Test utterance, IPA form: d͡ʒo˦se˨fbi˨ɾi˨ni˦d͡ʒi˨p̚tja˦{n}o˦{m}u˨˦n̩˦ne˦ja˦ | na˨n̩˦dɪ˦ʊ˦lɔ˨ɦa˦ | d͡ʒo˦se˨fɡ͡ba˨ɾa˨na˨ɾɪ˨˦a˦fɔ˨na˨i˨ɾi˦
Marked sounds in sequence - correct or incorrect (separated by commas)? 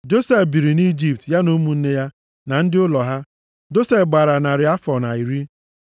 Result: correct, correct